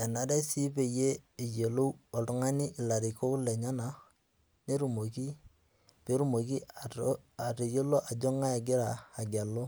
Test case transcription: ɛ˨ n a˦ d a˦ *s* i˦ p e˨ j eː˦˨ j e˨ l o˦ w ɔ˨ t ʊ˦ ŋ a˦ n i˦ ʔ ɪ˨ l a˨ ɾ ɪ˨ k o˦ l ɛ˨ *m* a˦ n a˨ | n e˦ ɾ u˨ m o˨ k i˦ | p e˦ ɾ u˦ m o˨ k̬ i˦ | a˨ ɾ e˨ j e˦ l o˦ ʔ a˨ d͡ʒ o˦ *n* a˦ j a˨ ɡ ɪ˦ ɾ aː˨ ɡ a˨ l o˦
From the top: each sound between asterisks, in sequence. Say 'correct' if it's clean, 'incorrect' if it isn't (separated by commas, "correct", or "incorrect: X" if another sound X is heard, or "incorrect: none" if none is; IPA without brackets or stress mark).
correct, incorrect: ɲ, incorrect: ŋ